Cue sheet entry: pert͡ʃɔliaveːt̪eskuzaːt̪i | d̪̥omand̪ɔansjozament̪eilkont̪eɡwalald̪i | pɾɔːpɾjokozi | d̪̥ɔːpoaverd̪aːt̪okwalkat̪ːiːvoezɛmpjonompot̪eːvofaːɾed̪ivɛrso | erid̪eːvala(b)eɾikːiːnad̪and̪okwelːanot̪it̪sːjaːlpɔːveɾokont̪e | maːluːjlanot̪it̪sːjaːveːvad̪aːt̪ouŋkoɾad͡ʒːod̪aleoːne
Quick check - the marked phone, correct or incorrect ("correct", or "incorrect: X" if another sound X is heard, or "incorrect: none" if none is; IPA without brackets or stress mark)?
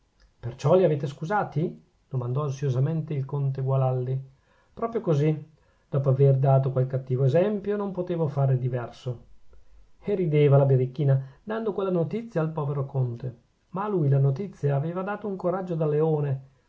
correct